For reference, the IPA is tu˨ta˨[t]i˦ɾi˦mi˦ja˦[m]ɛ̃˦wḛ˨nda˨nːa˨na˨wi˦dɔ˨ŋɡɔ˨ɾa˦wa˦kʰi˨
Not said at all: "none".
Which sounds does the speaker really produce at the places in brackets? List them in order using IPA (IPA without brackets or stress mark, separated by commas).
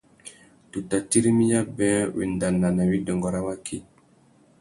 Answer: t, b